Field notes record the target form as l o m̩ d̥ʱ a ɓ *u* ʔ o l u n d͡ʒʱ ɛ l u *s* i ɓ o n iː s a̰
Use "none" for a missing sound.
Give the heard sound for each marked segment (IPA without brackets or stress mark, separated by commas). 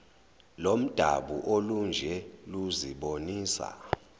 u, z